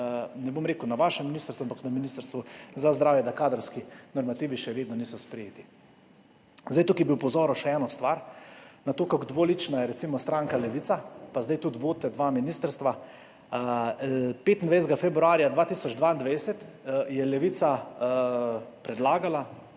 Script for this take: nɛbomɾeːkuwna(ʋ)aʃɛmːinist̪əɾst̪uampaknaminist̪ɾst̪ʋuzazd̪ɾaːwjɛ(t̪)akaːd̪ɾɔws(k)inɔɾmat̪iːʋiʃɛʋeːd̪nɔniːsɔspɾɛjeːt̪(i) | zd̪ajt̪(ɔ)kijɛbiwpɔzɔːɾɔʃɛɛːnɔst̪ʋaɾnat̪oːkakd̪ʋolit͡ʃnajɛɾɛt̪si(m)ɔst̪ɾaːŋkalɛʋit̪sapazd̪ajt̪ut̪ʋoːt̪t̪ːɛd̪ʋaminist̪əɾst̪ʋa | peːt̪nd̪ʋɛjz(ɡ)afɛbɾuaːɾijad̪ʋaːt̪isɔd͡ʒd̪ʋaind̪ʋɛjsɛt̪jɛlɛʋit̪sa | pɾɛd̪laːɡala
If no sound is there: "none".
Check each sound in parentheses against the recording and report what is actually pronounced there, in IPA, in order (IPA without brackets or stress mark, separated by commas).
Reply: ʋ, d̪, k, i, u, m, ɡ